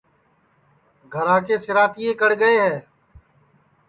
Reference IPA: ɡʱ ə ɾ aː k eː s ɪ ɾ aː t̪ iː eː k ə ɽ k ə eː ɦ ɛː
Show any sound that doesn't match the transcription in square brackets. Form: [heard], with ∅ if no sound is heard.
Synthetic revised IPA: ɡʱ ə ɾ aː k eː s ɪ ɾ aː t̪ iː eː k ə ɽ [ɡ] ə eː ɦ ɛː